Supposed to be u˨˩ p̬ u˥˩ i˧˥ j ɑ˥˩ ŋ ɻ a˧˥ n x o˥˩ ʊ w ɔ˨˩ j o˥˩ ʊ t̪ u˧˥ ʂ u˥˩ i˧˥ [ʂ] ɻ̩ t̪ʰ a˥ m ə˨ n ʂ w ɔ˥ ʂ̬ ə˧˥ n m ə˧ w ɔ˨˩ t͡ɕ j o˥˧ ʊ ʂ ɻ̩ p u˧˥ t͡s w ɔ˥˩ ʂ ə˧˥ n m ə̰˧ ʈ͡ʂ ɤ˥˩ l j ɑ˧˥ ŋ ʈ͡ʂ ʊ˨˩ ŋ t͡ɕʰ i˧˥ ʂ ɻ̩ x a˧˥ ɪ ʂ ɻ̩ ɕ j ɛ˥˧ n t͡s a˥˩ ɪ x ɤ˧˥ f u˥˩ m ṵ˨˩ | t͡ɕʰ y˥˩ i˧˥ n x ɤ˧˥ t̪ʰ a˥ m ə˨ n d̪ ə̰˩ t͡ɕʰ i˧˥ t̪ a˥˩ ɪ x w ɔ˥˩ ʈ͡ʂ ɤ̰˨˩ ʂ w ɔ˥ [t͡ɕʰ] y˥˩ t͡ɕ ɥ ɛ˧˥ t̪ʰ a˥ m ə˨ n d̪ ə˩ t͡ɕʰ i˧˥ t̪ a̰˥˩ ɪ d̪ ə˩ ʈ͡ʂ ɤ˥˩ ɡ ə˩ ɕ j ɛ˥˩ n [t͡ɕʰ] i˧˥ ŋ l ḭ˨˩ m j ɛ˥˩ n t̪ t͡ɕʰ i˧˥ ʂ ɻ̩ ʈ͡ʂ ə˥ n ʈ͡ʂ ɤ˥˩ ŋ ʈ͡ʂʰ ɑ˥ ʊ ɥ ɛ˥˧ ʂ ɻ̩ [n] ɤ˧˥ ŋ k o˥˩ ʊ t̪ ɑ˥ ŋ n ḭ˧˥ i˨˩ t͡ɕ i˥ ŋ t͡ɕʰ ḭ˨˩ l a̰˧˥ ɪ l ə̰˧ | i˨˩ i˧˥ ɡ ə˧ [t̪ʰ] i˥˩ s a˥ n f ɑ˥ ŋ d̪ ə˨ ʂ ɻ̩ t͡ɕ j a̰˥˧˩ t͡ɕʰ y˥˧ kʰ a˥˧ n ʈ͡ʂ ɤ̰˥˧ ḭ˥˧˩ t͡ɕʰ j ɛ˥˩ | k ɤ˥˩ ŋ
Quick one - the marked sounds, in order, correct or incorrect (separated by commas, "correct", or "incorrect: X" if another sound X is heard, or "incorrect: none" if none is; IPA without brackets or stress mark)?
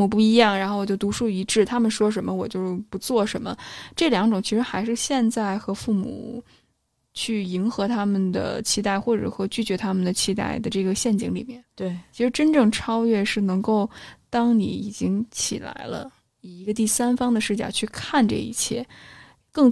incorrect: ʈ͡ʂ, incorrect: t͡ɕ, incorrect: t͡ɕ, correct, incorrect: t̪